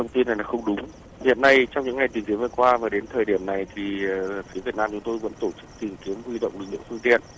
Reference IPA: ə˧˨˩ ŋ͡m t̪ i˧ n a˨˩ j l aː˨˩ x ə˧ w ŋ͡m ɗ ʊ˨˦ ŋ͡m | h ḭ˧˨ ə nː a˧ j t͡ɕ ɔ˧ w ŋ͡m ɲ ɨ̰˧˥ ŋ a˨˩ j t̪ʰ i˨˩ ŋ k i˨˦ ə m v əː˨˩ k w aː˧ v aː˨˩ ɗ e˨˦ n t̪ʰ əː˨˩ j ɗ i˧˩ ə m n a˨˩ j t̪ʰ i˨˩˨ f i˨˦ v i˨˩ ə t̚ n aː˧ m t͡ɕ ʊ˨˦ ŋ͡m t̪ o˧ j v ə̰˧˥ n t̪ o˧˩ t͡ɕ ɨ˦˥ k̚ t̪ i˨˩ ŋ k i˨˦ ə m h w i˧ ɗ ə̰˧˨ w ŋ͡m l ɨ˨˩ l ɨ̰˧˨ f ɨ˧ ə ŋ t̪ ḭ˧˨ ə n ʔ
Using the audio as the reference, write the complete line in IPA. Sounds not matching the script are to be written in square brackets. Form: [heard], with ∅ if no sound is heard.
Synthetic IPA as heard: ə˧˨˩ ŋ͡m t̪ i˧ n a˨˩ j l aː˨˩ x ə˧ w ŋ͡m ɗ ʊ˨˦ ŋ͡m | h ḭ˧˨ ə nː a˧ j t͡ɕ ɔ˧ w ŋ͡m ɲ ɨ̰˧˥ ŋ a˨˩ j [t̪] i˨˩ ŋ k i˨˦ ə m v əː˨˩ k w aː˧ v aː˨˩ ɗ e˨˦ n t̪ʰ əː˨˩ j ɗ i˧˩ ə m n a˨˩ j t̪ʰ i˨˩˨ f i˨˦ v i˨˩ ə t̚ n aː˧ m t͡ɕ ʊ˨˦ ŋ͡m t̪ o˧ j v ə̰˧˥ n t̪ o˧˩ t͡ɕ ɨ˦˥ k̚ t̪ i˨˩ ŋ k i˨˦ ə m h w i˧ ɗ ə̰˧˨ w ŋ͡m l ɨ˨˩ l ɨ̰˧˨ f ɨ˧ ə ŋ t̪ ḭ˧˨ ə n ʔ